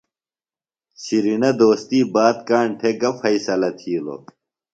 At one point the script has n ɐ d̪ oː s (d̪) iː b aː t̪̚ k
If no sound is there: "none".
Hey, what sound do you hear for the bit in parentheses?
t̪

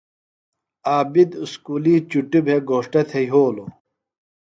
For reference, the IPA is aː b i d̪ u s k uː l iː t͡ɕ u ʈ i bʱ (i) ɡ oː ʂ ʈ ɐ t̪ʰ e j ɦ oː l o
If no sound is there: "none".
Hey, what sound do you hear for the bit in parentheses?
e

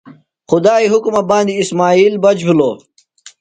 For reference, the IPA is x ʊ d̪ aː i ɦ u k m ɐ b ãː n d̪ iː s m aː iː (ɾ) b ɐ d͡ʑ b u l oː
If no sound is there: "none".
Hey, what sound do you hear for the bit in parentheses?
l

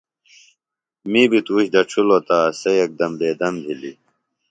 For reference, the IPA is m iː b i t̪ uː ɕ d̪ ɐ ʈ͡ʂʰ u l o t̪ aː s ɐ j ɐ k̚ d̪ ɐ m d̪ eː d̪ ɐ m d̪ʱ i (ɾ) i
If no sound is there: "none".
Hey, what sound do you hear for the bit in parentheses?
l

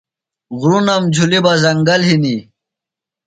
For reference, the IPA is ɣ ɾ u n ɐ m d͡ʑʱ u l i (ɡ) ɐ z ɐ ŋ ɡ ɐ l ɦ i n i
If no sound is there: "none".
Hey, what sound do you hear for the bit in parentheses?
b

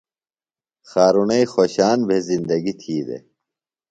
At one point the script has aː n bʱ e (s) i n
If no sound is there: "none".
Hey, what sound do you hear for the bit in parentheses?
z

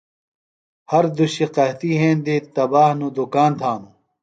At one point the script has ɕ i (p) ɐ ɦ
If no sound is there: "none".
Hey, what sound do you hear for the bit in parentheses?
q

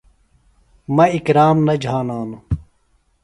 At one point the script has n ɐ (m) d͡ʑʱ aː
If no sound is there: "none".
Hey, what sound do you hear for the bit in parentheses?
none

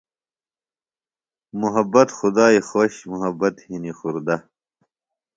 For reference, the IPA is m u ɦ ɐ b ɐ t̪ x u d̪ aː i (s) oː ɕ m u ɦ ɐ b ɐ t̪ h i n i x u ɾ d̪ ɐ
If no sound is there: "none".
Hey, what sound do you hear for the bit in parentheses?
x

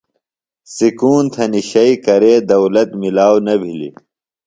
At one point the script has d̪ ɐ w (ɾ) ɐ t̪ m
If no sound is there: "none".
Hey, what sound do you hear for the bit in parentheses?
l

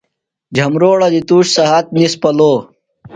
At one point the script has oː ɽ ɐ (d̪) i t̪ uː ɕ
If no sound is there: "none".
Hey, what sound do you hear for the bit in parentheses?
d̪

